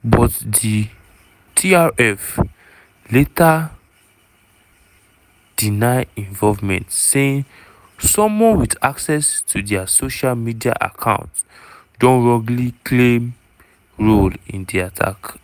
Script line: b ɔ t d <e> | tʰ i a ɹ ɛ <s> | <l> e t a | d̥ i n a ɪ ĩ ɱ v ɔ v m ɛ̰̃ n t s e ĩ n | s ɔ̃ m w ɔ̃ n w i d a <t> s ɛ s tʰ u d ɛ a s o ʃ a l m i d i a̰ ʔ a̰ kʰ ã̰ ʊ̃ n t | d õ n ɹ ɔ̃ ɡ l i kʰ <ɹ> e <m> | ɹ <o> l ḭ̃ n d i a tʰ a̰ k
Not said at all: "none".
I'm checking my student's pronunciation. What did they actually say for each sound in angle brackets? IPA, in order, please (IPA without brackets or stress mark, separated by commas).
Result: i, f, l, k, l, m, o